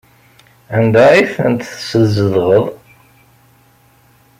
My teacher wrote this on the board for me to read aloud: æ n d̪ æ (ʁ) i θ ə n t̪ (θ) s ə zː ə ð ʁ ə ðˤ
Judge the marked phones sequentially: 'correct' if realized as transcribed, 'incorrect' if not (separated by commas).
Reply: incorrect, correct